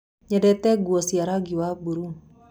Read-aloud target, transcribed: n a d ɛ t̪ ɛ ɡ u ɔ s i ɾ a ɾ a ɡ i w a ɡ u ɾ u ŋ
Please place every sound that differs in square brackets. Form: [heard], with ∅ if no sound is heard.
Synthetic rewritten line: [ɲ] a d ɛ t̪ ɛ ɡ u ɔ s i [∅] a ɾ a ɡ i w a [b] u ɾ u ŋ